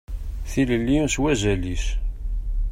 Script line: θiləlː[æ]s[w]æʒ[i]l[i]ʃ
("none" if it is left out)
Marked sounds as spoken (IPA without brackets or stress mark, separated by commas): i, w, æ, i